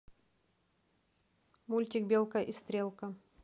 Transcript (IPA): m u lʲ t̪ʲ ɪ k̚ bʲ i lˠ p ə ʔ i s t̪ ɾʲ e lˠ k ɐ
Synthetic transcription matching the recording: m u lʲ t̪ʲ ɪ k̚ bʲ e lˠ k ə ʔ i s t̪ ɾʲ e lˠ k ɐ

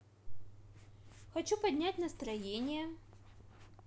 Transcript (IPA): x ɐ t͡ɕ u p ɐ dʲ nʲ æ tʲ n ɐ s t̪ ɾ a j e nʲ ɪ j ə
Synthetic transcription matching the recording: x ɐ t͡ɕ u p ɐ dʲ nʲ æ tʲ n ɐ s t̪ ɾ ɐ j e nʲ ɪ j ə

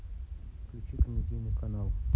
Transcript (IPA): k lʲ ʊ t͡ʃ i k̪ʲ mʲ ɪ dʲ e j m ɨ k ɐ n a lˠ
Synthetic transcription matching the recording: k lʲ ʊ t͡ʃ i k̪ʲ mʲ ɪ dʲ i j n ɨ k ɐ n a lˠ

